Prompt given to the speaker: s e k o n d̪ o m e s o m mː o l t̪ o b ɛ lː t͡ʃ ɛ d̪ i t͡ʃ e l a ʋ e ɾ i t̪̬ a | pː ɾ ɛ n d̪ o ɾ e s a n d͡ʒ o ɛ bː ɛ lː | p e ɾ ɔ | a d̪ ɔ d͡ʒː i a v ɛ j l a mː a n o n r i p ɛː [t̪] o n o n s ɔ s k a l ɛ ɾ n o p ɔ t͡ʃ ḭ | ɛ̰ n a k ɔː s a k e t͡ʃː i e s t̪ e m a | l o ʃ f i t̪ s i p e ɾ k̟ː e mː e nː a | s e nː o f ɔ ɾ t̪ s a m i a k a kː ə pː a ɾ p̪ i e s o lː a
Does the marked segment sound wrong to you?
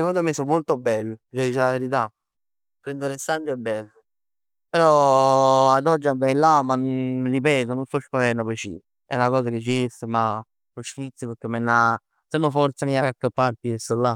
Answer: no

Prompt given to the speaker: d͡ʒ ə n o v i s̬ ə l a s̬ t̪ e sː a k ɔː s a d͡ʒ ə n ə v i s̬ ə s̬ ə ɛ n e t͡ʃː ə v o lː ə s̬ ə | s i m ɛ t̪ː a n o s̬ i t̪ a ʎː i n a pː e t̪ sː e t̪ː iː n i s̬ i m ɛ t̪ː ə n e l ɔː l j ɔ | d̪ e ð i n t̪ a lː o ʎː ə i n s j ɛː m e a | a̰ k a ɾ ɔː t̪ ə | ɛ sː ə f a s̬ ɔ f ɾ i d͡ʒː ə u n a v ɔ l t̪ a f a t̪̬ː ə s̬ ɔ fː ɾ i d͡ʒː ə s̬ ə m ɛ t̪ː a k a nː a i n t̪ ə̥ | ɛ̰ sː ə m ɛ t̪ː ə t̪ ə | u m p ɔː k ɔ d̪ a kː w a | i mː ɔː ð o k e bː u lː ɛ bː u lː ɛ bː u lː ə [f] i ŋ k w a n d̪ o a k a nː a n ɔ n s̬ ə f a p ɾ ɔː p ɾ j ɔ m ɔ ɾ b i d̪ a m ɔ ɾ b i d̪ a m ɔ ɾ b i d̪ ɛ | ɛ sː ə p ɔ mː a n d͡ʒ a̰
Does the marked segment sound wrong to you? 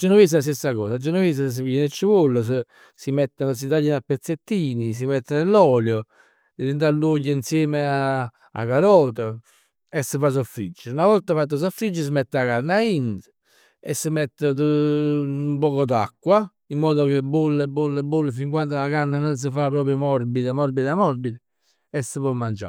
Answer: no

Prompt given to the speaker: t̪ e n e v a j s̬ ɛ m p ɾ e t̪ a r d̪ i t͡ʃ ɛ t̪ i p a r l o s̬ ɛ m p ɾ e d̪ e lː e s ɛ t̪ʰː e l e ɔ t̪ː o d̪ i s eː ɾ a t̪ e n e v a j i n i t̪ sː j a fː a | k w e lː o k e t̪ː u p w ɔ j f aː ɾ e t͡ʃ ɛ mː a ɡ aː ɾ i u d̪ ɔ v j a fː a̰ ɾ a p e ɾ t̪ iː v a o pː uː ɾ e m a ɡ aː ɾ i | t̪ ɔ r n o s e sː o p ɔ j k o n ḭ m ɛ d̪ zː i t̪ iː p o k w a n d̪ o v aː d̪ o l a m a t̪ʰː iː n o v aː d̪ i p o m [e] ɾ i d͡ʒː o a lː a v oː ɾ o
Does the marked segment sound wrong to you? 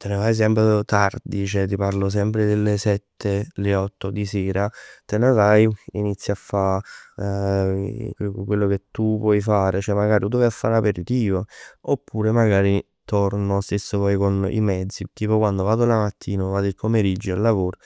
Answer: no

